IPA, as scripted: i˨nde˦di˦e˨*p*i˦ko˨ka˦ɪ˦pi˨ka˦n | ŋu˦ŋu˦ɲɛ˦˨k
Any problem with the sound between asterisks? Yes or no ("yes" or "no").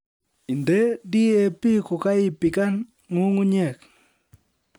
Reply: no